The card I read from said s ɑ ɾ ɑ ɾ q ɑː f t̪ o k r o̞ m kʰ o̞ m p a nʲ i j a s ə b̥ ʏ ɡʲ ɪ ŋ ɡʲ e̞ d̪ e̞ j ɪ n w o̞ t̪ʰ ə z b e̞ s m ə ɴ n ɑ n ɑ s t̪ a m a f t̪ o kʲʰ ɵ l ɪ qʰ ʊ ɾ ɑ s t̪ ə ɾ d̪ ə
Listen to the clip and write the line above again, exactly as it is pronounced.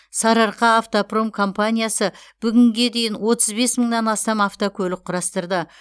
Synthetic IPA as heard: s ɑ ɾ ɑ ɾ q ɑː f t̪ o p r o̞ m kʰ o̞ m p a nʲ i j a s ə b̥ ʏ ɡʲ ɪ ŋ ɡʲ e̞ d̪ e̞ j ɪ n w o̞ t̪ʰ ə z b e̞ s m ə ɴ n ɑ n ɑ s t̪ ɑ m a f t̪ o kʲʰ ɵ l ɪ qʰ ʊ ɾ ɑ s t̪ ə ɾ d̪ ə